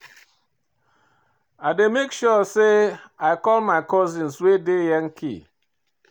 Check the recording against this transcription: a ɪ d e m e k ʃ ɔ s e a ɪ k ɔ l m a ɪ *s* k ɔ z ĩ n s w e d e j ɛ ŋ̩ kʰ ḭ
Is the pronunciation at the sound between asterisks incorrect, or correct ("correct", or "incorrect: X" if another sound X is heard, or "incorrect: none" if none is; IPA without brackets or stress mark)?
incorrect: none